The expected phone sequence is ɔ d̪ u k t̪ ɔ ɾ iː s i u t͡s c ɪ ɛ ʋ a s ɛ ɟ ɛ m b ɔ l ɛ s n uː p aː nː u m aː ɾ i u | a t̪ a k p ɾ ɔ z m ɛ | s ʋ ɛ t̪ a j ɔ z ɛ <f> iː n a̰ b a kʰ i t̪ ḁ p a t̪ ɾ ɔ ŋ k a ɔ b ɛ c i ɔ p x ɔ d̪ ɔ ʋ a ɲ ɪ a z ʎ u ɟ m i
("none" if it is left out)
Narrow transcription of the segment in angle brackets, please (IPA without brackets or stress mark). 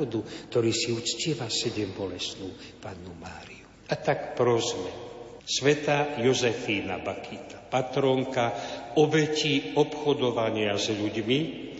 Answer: f